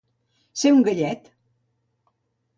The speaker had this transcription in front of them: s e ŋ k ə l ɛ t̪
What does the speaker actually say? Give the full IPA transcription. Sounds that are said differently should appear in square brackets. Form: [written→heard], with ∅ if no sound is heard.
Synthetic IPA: s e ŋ [k→ɡ] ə [l→ʎ] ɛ t̪